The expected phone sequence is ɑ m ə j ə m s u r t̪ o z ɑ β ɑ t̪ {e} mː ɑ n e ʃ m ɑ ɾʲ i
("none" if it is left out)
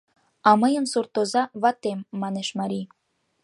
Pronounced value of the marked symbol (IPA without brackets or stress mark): e